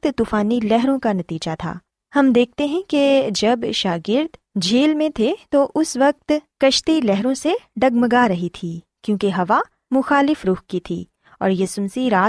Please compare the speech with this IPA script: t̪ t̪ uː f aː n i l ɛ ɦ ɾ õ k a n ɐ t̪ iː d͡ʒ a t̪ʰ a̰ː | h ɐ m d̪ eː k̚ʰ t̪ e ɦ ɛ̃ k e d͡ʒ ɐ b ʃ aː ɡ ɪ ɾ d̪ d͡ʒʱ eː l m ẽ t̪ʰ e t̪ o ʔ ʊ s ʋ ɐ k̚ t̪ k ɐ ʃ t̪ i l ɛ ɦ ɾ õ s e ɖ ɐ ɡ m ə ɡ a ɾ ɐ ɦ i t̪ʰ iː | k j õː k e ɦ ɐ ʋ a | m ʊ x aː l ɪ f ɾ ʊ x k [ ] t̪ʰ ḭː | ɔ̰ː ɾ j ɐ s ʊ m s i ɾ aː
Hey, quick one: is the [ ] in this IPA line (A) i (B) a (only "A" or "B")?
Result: A